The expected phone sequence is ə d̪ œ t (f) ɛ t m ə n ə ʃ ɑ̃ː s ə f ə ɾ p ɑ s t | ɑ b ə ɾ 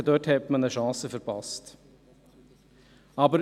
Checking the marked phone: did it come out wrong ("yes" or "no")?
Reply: yes